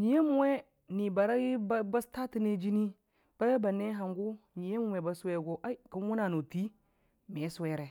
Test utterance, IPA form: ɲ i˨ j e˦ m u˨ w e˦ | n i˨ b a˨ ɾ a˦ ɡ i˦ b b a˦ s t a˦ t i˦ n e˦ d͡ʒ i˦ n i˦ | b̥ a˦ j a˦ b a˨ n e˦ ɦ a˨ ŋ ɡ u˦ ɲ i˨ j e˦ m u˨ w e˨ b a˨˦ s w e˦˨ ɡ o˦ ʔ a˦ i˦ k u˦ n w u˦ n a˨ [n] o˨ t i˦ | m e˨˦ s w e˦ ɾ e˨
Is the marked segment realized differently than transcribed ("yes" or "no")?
no